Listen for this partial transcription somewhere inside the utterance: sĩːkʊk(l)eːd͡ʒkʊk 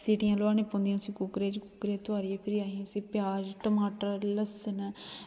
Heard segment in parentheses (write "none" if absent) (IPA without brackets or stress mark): ɾ